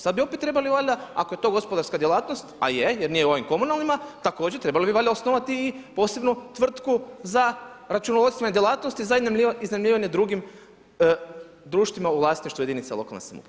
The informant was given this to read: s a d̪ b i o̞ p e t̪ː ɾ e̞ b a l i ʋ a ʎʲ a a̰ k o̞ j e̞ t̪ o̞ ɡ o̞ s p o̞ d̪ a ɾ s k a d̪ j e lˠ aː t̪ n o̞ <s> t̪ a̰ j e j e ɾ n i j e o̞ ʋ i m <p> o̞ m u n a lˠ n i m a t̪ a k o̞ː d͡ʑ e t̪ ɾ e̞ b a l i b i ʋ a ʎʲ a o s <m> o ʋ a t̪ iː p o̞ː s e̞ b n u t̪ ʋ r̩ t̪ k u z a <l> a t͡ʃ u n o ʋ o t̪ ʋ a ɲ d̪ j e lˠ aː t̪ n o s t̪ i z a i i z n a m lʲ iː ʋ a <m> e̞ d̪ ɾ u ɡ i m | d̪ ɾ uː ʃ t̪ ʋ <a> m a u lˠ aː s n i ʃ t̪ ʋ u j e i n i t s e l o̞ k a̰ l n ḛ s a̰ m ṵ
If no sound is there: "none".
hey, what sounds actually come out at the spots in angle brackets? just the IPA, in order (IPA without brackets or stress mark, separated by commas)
s, k, n, ɾ, ɲ, i